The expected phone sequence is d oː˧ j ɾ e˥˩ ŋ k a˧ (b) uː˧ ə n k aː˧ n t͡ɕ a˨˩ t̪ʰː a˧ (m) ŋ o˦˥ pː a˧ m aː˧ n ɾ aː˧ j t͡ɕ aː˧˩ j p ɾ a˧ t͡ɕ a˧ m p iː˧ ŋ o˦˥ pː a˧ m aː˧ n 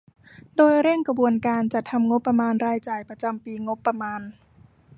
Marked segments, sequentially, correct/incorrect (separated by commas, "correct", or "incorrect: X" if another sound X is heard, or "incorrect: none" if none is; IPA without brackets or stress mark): correct, correct